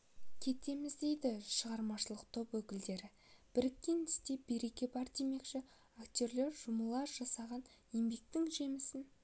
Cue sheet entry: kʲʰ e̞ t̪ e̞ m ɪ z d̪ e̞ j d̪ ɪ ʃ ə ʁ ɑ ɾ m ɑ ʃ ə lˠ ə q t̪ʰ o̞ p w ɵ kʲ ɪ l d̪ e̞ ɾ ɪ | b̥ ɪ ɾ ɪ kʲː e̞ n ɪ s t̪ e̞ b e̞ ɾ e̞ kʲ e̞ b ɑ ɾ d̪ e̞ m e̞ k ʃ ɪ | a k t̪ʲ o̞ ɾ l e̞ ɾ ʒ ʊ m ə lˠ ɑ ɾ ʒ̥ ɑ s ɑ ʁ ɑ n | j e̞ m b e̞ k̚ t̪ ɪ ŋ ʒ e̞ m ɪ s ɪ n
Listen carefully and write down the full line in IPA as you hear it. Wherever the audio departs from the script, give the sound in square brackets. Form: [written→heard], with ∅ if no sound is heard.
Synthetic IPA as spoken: kʲʰ e̞ t̪ e̞ m ɪ z d̪ e̞ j d̪ ɪ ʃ ə ʁ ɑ ɾ m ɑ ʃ ə lˠ ə q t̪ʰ o̞ p w ɵ kʲ ɪ l d̪ e̞ ɾ ɪ | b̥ ɪ ɾ ɪ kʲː e̞ n ɪ s t̪ e̞ b e̞ ɾ e̞ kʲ e̞ b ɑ ɾ d̪ e̞ m e̞ k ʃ ɪ | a k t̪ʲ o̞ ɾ l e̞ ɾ ʒ ʊ m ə lˠ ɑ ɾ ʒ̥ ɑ s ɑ ʁ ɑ n | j e̞ m b e̞ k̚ t̪ ɪ ŋ ʒ e̞ m ɪ s ɪ n